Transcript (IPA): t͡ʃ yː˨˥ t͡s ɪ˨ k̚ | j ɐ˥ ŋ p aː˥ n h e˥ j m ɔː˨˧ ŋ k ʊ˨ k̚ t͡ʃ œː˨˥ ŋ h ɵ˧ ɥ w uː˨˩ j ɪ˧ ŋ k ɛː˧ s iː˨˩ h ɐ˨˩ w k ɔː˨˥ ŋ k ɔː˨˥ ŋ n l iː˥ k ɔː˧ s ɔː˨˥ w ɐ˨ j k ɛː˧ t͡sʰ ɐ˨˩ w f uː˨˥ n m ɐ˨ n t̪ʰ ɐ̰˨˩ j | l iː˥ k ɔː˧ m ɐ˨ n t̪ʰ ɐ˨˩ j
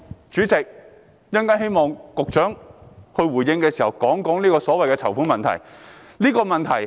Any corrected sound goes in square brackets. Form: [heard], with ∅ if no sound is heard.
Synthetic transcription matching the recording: t͡ʃ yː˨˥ t͡s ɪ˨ k̚ | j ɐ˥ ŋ [k] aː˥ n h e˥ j m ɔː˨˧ ŋ k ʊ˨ k̚ t͡ʃ œː˨˥ ŋ h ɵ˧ ɥ w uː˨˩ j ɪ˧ ŋ k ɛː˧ s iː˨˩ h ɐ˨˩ w k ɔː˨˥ ŋ k ɔː˨˥ ŋ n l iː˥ k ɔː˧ s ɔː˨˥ w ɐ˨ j k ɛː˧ t͡sʰ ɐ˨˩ w f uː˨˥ n m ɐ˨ n t̪ʰ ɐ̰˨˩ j | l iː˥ k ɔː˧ m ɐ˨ n t̪ʰ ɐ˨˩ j